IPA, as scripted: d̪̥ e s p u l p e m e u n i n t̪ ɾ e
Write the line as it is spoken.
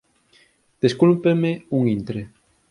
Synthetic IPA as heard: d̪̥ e s k u l p e m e u ŋ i n t̪ ɾ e